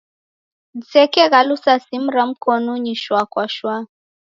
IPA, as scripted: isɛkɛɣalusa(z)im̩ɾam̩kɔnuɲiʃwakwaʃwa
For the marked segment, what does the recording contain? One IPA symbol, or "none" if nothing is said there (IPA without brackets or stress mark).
s